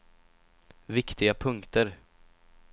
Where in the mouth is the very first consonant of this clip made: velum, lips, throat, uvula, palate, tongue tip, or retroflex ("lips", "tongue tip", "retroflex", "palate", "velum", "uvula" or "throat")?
lips